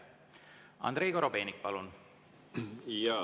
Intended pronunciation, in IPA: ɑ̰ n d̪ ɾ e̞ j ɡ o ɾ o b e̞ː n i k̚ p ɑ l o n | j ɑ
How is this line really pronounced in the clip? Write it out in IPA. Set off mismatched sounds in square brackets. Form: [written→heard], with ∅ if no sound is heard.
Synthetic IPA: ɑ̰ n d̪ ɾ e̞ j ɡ o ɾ o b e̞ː n i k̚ p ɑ l [o→u] n | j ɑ